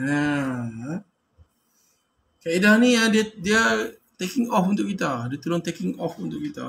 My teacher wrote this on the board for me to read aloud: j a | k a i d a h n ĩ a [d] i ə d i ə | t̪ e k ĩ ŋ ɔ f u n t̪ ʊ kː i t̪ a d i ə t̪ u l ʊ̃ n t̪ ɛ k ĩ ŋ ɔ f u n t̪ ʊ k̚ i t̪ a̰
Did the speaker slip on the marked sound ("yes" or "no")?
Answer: no